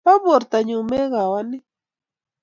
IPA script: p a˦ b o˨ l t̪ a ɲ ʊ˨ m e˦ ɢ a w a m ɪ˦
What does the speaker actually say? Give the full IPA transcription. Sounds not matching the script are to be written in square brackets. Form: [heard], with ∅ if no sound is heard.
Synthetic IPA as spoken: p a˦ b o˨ [ɾ] t̪ a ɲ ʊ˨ m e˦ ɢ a w a [n] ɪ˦

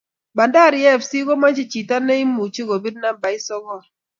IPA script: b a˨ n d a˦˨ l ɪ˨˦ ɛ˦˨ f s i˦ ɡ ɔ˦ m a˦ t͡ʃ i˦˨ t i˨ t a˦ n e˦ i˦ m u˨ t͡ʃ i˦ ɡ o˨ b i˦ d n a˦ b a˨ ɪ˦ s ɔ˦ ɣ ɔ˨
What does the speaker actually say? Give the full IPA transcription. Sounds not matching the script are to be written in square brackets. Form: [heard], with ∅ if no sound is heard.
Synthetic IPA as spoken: b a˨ n d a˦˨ [ɾ] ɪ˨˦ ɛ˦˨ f s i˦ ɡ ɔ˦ m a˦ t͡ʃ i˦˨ [t͡ʃ] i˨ t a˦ n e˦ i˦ m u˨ t͡ʃ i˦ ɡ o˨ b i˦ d n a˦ b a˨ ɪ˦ s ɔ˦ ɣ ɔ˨

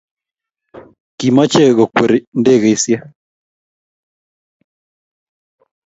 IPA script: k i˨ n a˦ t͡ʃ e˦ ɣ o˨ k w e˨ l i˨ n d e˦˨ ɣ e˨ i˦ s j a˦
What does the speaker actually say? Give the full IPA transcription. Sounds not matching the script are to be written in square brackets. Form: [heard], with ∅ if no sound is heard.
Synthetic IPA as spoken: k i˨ [m] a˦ t͡ʃ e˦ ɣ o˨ k w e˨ [ɾ] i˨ n d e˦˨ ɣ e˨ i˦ s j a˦

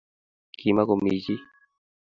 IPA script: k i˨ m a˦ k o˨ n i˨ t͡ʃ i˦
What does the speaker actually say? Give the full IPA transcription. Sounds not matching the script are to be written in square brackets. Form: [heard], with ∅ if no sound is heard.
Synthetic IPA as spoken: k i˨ m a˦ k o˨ [m] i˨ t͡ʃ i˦

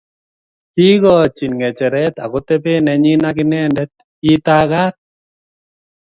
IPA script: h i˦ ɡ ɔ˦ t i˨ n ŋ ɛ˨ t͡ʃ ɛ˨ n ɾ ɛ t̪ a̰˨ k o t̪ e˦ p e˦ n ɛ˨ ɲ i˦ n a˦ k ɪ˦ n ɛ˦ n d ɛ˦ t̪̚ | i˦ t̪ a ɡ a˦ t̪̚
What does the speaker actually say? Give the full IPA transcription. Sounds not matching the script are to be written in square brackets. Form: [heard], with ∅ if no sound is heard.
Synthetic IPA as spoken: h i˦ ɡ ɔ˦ [t͡ʃ] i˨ n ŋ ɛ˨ t͡ʃ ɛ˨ [∅] ɾ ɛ t̪ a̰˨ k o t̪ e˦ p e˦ n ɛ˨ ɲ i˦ n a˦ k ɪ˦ n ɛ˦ n d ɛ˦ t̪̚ | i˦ t̪ a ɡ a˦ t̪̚

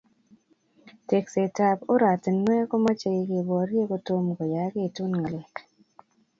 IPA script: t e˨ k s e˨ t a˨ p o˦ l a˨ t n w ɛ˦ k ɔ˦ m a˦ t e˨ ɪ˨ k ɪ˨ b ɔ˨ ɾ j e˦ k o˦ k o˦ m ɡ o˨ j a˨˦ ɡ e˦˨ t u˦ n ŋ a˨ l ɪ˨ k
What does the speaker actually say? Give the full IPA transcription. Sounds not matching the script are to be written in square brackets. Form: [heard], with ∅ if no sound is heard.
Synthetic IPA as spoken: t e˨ k s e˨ t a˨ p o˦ [ɾ] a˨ t n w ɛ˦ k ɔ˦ m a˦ [t͡ʃ] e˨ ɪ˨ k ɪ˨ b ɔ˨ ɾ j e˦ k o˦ [t] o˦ m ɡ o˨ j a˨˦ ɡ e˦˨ t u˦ n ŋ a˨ l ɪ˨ k

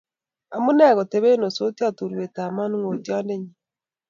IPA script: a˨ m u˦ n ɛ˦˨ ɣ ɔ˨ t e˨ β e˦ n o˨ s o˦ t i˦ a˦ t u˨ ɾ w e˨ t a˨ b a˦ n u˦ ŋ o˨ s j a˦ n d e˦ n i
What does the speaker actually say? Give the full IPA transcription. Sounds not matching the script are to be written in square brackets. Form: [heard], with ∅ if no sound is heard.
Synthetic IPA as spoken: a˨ m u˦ n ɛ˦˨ ɣ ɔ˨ t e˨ β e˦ n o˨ s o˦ t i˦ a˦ t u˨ ɾ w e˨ t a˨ [m] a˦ n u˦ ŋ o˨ [t] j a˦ n d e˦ [ɲ] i

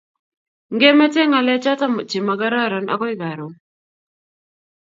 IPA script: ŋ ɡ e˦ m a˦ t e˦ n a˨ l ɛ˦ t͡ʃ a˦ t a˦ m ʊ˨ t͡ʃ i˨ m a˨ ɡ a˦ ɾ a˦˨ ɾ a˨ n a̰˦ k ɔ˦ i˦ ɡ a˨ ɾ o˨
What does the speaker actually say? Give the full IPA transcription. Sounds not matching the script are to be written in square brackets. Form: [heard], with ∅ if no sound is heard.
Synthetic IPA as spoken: ŋ ɡ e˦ m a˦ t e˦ [ŋ] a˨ l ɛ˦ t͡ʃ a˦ t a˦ m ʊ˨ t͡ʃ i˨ m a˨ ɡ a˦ ɾ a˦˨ ɾ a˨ n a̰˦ k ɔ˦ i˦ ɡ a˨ ɾ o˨

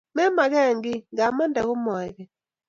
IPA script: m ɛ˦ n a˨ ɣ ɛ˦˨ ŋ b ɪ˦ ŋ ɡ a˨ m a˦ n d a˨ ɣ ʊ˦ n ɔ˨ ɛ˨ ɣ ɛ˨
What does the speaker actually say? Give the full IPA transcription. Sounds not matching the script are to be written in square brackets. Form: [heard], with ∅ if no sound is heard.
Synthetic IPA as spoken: m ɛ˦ [m] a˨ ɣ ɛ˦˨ ŋ [ɡ] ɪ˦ ŋ ɡ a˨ m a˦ n d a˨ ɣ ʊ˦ [m] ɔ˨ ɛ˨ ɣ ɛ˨

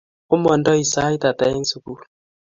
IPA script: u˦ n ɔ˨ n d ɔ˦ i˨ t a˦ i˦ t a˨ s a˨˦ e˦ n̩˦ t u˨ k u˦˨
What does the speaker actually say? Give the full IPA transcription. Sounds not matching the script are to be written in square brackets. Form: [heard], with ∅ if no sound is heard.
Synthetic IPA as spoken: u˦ [m] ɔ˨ n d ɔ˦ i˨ [s] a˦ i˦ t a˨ [t] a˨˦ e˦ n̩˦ [s] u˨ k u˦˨

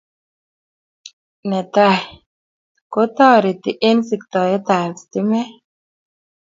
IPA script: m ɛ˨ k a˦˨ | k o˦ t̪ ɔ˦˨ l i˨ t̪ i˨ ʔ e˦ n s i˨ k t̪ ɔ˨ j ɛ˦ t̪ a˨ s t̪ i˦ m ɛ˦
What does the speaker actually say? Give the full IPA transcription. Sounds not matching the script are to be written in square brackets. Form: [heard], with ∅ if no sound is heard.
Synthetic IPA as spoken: [n] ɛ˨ [t] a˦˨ | k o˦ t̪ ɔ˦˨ [ɾ] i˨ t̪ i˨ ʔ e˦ n s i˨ k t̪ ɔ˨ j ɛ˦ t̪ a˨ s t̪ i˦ m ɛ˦

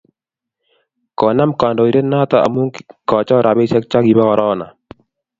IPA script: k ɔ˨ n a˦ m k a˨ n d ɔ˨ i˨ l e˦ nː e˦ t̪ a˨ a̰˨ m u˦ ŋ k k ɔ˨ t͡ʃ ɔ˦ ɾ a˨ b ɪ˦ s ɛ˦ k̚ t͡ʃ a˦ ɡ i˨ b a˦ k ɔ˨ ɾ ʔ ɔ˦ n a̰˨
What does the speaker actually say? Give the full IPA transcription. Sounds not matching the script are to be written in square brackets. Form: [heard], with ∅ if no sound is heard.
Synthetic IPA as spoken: k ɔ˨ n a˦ m k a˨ n d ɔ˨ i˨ [ɾ] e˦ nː [a˦] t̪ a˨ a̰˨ m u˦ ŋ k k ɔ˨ t͡ʃ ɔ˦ ɾ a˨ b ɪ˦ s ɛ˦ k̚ t͡ʃ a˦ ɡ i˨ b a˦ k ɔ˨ ɾ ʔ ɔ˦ n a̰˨

